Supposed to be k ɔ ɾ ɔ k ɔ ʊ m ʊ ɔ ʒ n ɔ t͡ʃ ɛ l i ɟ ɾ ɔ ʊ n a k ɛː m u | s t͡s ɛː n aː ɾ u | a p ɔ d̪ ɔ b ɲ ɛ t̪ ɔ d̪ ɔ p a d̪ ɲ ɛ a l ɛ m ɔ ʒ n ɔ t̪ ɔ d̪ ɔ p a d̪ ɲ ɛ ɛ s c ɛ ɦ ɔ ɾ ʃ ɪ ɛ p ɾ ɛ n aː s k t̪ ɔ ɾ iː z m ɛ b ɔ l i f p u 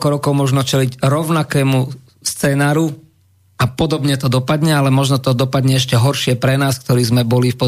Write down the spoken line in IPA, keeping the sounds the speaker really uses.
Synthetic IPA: k ɔ ɾ ɔ k ɔ ʊ m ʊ ɔ ʒ n ɔ t͡ʃ ɛ l i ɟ ɾ ɔ ʊ n a k ɛː m u | s t͡s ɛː n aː ɾ u | a p ɔ d̪ ɔ b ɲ ɛ t̪ ɔ d̪ ɔ p a d̪ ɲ ɛ a l ɛ m ɔ ʒ n ɔ t̪ ɔ d̪ ɔ p a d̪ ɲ ɛ ɛ ʃ c ɛ ɦ ɔ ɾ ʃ ɪ ɛ p ɾ ɛ n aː s k t̪ ɔ ɾ iː z m ɛ b ɔ l i f p ɔ